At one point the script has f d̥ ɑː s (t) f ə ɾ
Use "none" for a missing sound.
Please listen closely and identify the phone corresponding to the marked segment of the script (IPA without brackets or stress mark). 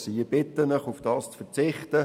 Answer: t͡s